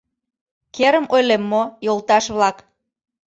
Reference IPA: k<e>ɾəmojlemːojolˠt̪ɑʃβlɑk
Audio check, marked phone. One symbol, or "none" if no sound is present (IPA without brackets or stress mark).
e